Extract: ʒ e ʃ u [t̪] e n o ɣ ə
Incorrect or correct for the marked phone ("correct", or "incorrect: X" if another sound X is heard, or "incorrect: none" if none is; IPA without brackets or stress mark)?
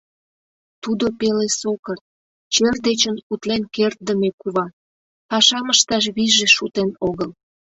correct